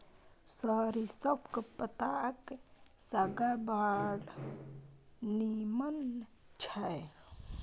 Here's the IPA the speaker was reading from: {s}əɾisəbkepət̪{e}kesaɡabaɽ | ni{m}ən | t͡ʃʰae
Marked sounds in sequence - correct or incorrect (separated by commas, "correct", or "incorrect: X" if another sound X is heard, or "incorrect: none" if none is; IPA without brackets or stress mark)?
correct, incorrect: a, correct